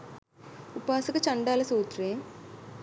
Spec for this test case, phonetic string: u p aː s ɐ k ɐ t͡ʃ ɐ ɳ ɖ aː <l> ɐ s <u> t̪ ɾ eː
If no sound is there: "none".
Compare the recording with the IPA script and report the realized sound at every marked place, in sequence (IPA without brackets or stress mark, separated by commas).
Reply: l, uː